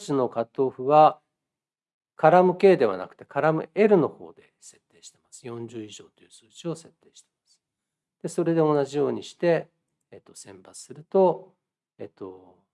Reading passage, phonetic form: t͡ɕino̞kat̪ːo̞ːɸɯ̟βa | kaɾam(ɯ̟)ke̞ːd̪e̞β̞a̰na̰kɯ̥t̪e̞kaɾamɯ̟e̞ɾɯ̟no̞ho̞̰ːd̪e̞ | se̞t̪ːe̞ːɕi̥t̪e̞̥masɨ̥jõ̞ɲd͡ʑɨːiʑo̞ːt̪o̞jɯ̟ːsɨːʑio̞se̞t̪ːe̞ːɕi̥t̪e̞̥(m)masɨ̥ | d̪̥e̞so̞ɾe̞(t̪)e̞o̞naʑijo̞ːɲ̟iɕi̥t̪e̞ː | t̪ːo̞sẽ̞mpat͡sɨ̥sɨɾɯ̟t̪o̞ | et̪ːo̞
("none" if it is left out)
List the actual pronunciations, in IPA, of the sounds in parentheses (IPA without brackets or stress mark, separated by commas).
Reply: ɯ̟, m, d̪